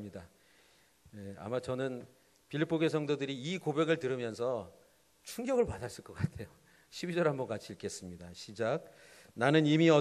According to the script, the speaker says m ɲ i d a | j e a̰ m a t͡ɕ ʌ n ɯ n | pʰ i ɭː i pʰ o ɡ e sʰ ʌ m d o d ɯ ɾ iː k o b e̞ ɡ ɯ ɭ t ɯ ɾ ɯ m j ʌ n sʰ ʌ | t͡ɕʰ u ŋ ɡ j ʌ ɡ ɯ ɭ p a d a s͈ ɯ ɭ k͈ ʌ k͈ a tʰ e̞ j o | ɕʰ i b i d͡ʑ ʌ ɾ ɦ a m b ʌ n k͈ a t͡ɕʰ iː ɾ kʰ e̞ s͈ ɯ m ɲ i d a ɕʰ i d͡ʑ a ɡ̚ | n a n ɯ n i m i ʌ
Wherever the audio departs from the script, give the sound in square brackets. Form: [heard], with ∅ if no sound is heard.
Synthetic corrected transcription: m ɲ i d a | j e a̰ m a t͡ɕ ʌ n ɯ n | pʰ i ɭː i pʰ o ɡ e sʰ ʌ [ŋ] d o d ɯ ɾ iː k o b e̞ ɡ ɯ ɭ t ɯ ɾ ɯ m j ʌ n sʰ ʌ | t͡ɕʰ u ŋ ɡ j ʌ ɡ ɯ ɭ p a d a s͈ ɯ ɭ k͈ ʌ k͈ a tʰ e̞ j o | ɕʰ i b i d͡ʑ ʌ ɾ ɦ a m b ʌ n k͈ a t͡ɕʰ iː [ɭ] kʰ e̞ s͈ ɯ m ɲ i d a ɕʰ i d͡ʑ a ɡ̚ | n a n ɯ n i m i ʌ